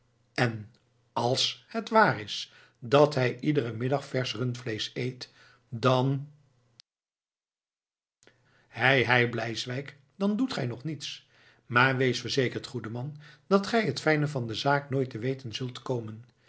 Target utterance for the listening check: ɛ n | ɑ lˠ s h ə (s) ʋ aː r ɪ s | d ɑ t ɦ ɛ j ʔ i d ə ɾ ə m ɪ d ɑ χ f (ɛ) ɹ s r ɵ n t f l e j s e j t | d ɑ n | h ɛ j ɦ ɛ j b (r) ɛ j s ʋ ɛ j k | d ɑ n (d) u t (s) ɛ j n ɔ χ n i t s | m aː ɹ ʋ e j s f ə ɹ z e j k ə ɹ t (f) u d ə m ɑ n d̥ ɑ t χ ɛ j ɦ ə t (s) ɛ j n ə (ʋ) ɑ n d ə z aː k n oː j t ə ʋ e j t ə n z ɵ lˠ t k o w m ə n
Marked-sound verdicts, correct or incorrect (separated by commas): incorrect, correct, incorrect, correct, incorrect, incorrect, incorrect, incorrect